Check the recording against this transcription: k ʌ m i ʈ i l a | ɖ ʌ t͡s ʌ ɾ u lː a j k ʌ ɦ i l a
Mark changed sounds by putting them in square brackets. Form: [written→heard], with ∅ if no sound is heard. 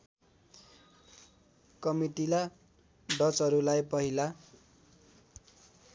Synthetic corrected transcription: k ʌ m i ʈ i l a | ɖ ʌ t͡s ʌ ɾ u [lː→l] a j [k→p] ʌ ɦ i l a